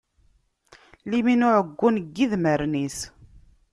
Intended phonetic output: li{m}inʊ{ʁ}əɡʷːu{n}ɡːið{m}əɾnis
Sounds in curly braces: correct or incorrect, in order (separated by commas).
correct, incorrect, correct, correct